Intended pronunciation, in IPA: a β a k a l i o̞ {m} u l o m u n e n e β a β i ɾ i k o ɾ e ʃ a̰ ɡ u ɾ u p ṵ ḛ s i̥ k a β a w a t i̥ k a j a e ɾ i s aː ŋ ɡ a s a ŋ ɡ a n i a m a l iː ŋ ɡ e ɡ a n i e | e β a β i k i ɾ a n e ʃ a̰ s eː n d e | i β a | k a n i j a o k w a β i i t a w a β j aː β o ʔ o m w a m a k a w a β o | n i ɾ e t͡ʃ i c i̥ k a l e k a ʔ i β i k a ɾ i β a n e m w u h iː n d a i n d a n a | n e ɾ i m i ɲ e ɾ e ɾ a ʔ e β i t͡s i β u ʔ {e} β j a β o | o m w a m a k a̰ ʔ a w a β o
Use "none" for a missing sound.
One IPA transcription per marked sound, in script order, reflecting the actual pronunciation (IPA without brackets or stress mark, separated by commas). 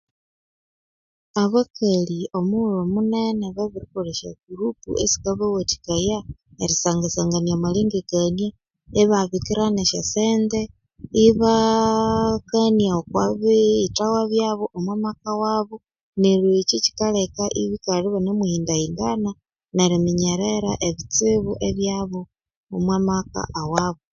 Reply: m, e